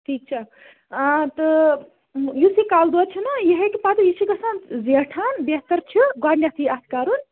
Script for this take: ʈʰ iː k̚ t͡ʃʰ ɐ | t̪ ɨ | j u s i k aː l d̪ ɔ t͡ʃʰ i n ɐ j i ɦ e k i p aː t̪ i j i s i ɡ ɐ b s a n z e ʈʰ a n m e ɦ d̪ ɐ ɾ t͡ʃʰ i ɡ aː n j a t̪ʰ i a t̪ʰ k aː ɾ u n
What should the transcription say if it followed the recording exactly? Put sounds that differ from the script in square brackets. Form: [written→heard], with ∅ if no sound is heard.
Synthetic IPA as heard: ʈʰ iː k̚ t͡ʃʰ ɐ | t̪ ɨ | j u s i k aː l d̪ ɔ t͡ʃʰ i n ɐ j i ɦ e k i p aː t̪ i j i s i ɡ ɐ [b→∅] s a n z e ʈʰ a n [m→b] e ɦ [d̪→t̪] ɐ ɾ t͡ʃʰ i ɡ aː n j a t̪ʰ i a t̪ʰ k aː ɾ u n